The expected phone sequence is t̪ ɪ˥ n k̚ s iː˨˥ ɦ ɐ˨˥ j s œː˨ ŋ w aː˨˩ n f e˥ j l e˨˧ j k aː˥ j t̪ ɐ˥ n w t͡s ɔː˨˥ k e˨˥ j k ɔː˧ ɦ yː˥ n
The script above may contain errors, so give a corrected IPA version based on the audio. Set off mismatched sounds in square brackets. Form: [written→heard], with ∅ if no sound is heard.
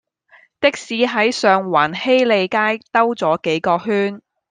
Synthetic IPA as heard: t̪ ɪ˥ [n→∅] k̚ s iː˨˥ ɦ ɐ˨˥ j s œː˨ ŋ w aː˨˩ n [f→h] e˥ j l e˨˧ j k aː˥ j t̪ ɐ˥ [n→∅] w t͡s ɔː˨˥ k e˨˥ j k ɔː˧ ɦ yː˥ n